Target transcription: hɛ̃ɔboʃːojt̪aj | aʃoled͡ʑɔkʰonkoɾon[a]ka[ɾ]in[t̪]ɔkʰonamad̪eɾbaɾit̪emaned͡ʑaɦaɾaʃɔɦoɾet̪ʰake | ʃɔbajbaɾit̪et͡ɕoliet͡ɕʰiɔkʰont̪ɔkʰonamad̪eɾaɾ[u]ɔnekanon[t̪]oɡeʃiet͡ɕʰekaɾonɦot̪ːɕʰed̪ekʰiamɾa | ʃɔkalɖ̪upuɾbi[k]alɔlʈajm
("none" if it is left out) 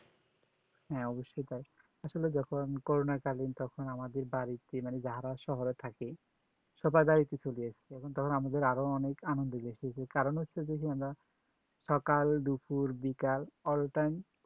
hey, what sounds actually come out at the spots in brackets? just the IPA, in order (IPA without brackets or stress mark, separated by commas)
a, l, t̪, o, d̪, k